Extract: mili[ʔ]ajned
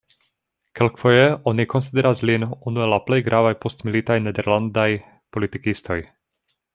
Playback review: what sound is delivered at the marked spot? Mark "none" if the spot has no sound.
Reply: t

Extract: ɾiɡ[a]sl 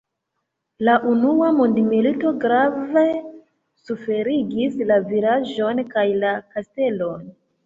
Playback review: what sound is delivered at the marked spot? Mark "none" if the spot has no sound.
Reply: i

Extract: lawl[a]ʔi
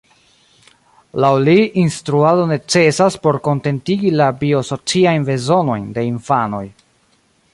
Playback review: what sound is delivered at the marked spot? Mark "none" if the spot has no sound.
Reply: i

